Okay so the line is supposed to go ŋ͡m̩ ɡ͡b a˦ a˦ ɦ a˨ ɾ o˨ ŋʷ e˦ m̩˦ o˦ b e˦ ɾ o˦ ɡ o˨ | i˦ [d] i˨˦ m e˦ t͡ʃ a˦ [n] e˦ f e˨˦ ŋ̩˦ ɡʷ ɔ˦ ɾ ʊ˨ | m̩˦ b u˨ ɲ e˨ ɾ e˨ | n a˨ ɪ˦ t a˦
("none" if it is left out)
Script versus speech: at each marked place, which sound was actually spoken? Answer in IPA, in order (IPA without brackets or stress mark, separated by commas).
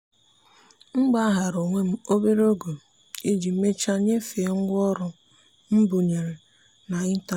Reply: d͡ʒ, ɲ